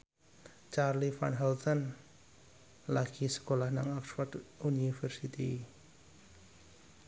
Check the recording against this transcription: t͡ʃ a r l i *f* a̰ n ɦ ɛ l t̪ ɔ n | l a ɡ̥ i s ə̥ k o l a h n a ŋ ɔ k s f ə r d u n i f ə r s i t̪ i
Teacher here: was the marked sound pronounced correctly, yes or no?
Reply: yes